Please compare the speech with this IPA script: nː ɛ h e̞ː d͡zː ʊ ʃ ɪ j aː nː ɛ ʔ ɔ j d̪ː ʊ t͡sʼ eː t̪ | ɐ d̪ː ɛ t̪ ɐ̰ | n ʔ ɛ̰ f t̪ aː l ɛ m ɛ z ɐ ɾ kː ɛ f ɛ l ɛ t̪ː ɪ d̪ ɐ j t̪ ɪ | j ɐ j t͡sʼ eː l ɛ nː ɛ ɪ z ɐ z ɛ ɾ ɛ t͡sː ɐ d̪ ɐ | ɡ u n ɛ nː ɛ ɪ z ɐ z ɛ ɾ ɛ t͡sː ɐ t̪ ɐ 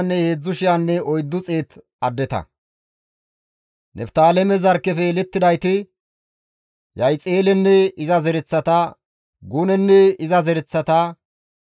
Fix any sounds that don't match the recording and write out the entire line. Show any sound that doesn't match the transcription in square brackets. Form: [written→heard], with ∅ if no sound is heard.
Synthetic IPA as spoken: nː ɛ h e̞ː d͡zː ʊ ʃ ɪ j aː nː ɛ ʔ ɔ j d̪ː ʊ t͡sʼ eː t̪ | ɐ d̪ː ɛ t̪ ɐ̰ | n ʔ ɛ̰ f t̪ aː l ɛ m ɛ z ɐ ɾ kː ɛ f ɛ l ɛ t̪ː ɪ d̪ ɐ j t̪ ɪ | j ɐ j t͡sʼ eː l ɛ nː ɛ ɪ z ɐ z ɛ ɾ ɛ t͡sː ɐ [d̪→t̪] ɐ | ɡ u n ɛ nː ɛ ɪ z ɐ z ɛ ɾ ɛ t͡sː ɐ t̪ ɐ